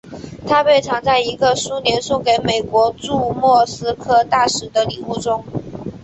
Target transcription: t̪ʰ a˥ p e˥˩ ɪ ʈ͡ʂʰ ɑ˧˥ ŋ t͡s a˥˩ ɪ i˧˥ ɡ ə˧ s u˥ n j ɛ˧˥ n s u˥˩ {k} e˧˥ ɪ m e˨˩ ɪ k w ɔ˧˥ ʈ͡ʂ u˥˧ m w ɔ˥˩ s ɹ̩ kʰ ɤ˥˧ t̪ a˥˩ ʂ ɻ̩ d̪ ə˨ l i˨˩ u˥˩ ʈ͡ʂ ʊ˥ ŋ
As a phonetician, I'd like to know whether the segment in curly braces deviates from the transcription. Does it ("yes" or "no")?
no